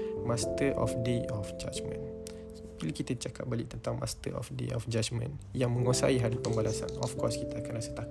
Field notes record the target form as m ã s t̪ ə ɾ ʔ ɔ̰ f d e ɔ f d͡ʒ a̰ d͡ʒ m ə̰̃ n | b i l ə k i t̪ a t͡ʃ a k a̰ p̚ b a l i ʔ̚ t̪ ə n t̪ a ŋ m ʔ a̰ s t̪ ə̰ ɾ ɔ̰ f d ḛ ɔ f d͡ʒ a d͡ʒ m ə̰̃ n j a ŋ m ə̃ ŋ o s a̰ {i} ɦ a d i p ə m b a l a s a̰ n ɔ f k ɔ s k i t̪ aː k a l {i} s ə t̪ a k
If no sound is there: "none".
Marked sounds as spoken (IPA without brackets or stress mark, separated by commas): i, a